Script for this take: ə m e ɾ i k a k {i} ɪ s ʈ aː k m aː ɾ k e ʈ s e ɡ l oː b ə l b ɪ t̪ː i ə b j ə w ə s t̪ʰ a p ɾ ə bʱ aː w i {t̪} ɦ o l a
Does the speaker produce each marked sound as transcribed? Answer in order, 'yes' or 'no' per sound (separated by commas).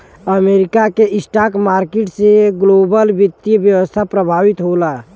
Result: no, yes